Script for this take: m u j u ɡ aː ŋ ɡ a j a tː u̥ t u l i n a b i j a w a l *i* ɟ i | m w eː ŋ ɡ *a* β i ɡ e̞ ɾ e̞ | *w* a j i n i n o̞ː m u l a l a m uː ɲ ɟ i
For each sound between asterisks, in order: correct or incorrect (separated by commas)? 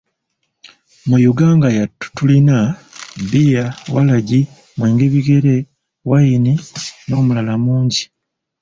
incorrect, incorrect, correct